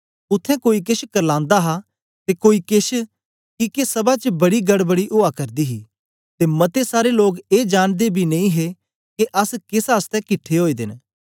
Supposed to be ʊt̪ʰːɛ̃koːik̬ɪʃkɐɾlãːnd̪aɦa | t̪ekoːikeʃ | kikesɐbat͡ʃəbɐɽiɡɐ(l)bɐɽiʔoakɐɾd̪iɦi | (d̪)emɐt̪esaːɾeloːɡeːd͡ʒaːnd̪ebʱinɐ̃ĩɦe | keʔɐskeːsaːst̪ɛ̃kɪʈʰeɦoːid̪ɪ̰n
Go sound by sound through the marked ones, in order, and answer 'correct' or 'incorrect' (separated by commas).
incorrect, incorrect